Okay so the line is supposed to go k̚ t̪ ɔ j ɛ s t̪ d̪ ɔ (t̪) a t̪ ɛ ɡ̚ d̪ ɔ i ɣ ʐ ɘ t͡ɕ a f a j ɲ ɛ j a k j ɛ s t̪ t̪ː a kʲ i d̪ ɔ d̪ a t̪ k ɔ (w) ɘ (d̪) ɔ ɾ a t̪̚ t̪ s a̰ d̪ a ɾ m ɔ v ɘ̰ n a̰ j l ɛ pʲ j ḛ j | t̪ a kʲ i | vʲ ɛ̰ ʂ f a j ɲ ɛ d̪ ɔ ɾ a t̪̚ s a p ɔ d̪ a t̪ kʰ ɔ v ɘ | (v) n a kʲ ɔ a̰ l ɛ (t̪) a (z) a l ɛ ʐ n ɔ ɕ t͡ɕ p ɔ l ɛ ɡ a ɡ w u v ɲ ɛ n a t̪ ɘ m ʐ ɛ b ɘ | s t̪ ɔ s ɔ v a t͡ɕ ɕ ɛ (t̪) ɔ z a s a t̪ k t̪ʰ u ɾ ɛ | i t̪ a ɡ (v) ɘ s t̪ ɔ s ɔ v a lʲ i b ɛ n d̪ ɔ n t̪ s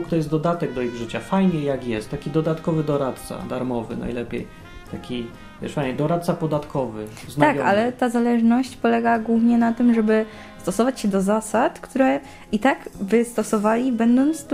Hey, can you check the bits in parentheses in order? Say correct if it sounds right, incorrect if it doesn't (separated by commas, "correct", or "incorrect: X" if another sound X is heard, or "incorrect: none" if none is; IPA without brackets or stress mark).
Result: incorrect: d̪, incorrect: v, correct, incorrect: z, correct, correct, incorrect: d̪, correct